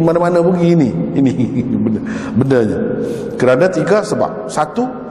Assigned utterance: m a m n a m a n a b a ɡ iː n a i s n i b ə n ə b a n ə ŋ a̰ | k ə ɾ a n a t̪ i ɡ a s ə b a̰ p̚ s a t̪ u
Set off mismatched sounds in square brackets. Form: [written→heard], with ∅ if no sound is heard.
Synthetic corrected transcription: m a [m→∅] n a m a n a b [a→ə] ɡ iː n [a→i] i [s→∅] n i b ə n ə b [a→ə] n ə [ŋ→ɲ] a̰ | k ə ɾ a n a t̪ i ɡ a s ə b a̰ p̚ s a t̪ u